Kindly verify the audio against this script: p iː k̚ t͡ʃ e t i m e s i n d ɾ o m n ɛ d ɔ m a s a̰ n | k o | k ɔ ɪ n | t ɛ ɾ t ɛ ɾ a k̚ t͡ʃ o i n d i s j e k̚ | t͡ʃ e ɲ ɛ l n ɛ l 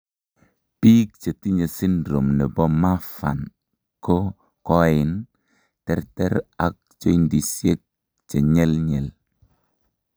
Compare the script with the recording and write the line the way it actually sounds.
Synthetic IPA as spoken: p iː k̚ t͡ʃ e t i ɲ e s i n d ɾ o m n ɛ b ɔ m a f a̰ n | k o | k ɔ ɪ n | t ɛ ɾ t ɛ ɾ a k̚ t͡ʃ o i n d i s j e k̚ | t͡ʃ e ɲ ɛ l ɲ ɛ l

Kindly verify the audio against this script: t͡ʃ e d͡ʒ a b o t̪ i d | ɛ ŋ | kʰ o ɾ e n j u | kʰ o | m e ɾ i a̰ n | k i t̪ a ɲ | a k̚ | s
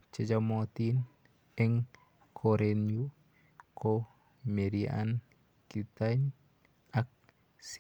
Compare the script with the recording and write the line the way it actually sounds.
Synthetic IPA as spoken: t͡ʃ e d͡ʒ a m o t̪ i n | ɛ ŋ | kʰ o ɾ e n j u | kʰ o | m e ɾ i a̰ n | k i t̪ a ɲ | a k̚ | s

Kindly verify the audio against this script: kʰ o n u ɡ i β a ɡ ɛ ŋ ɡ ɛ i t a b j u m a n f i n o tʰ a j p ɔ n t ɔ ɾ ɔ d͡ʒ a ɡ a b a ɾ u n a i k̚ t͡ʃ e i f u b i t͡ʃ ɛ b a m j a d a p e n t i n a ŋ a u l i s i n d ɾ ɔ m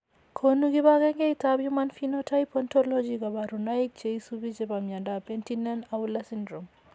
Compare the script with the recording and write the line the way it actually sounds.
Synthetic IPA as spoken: kʰ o n u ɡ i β a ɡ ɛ ŋ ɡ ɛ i t a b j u m a n f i n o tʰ a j p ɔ n t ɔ l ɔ d͡ʒ i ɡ a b a ɾ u n a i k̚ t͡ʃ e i s u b i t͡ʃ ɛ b a m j a d a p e n t i n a n a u l a s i n d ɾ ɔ m

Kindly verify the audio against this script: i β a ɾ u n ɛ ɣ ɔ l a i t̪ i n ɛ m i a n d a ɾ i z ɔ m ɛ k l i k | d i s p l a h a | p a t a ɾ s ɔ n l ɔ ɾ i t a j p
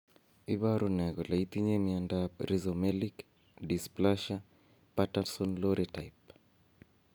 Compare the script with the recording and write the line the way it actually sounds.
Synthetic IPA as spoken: i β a ɾ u n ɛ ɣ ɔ l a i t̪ i ɲ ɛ m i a n d a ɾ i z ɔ m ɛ l i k | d i s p l a ʃ a | p a t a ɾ s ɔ n l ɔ ɾ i t a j p

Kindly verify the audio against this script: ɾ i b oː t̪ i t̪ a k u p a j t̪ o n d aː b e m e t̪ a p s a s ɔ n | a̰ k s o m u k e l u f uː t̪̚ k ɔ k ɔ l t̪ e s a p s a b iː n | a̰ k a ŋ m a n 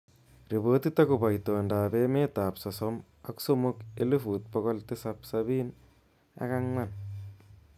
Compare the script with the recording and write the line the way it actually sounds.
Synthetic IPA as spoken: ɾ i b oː t̪ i t̪ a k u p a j t̪ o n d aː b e m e t̪ a p s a s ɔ m | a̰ k s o m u k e l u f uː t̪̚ p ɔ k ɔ l t̪ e s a p s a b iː n | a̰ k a ŋ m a n

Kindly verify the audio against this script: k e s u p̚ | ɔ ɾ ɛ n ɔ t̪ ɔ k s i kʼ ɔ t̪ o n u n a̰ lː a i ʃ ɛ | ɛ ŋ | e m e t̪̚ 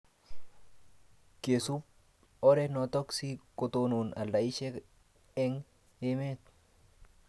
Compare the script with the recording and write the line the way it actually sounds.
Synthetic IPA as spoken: k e s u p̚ | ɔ ɾ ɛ n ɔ t̪ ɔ k s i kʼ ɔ t̪ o n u n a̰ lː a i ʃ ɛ | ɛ ŋ | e m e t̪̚

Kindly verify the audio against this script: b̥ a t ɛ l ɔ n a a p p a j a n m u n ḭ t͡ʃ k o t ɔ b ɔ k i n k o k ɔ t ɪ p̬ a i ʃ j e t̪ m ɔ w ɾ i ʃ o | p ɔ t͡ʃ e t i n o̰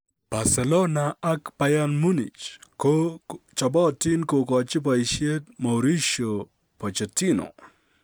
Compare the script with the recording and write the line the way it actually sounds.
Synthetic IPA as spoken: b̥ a s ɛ l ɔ n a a k p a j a n m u n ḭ t͡ʃ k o t͡ʃ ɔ b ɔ t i n k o k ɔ t͡ʃ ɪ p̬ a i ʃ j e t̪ m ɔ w ɾ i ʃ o | p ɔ t͡ʃ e t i n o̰

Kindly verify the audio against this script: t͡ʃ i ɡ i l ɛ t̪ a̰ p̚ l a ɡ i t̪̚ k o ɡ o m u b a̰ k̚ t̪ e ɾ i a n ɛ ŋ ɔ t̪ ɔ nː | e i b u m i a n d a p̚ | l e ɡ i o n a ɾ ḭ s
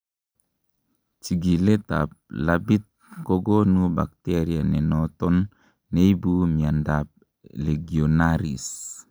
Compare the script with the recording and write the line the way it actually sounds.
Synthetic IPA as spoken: t͡ʃ i ɡ i l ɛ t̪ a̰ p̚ l a b i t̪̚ k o ɡ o n u b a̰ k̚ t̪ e ɾ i a n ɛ n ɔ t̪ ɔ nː | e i b u m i a n d a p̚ | l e ɡ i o n a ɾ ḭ s

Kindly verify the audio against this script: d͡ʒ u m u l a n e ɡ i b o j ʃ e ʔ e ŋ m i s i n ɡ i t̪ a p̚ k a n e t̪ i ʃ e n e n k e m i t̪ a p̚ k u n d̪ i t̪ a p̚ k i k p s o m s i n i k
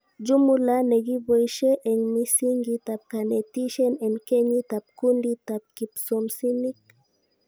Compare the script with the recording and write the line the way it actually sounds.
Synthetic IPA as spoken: d͡ʒ u m u l a n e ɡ i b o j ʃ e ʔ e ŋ m i s i ŋ ɡ i t̪ a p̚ k a n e t̪ i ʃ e n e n k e ɲ i t̪ a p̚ k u n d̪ i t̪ a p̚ k i p s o m s i n i k

